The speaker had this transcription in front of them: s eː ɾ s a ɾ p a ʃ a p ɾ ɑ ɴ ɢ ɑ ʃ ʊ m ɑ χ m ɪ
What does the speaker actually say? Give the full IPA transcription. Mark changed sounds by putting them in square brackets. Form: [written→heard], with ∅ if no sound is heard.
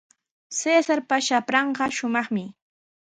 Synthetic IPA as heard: s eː [ɾ→∅] s a ɾ p a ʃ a p ɾ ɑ ɴ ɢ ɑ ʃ ʊ m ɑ χ m ɪ